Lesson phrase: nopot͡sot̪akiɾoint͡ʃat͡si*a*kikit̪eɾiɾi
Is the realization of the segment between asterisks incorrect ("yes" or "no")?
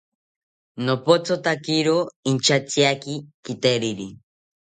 no